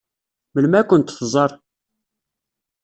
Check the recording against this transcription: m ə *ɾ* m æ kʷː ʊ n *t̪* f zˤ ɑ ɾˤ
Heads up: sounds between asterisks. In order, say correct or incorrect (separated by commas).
incorrect, correct